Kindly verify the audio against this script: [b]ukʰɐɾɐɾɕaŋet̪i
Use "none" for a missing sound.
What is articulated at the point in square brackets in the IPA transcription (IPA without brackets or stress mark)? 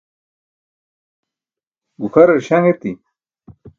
ɡ